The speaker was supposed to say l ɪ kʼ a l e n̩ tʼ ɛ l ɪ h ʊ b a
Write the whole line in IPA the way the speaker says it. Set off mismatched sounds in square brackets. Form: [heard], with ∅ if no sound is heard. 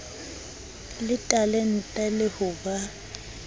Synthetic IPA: l ɪ [tʼ] a l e n̩ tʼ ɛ l ɪ h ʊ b a